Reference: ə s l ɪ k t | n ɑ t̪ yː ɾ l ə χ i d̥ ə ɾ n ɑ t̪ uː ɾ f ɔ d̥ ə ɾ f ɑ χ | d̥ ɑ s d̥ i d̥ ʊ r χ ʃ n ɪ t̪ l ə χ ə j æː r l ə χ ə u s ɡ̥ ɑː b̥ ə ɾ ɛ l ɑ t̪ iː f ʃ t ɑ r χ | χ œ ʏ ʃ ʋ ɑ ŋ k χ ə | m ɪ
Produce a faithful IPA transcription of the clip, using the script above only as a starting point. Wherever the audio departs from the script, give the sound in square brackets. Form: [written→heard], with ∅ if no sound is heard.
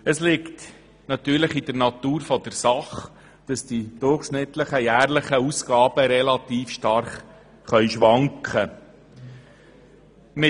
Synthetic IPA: ə s l ɪ k t | n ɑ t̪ yː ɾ l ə χ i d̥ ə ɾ n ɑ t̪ uː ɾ f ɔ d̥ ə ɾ [f→s] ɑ χ | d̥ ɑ s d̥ i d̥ ʊ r χ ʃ n ɪ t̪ l ə χ ə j æː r l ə χ ə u s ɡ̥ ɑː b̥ ə ɾ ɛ l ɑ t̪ iː f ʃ t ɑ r χ | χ œ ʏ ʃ ʋ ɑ ŋ k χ ə | m ɪ